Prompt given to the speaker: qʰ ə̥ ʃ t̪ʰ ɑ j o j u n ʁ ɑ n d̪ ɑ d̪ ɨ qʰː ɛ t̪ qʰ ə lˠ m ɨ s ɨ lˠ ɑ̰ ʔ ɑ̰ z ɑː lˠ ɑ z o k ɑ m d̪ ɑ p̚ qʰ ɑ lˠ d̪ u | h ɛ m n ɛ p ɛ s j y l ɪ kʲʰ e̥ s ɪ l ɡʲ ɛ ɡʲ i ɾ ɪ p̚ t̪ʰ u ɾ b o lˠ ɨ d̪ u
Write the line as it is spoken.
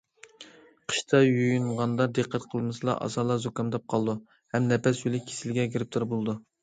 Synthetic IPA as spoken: qʰ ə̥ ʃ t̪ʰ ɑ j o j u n ʁ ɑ n d̪ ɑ d̪ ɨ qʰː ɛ t̪ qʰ ə lˠ m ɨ s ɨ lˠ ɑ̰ ʔ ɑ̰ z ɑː lˠ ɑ z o k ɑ m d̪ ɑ p̚ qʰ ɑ lˠ d̪ u | h ɛ m n ɛ p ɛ s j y l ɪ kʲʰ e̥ s ɪ l ɡʲ ɛ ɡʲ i ɾ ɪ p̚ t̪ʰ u ɾ b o lˠ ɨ d̪ u

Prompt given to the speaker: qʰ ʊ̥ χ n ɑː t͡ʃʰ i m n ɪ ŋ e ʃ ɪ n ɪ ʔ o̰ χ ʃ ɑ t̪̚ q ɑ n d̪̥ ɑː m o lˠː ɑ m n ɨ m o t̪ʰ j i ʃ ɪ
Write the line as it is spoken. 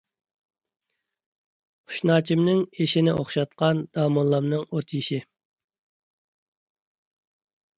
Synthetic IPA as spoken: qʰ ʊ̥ ʃ n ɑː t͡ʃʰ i m n ɪ ŋ e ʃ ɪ n ɪ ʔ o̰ χ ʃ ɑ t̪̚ q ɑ n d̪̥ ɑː m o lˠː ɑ m n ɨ ŋ o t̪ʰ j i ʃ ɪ

